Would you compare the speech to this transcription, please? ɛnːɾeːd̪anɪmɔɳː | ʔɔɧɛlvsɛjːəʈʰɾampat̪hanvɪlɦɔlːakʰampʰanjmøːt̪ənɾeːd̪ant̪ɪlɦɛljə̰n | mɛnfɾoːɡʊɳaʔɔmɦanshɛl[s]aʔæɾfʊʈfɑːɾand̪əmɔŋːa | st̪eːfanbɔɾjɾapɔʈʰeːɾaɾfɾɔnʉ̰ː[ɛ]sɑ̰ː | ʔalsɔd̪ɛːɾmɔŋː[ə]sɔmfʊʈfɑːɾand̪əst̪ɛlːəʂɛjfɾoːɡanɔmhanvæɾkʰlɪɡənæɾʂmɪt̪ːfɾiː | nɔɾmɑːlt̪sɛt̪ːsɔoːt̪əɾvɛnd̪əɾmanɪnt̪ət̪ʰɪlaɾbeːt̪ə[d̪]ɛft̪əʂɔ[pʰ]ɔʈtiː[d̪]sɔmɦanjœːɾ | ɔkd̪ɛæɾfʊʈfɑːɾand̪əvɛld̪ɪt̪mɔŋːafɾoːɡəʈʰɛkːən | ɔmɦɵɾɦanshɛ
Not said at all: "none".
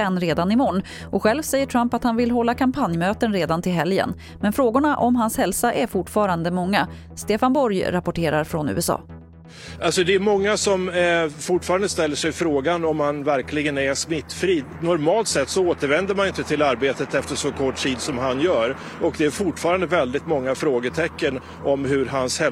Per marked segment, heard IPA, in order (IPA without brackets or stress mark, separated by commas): s, ɛ, a, t̪, kʰ, d̪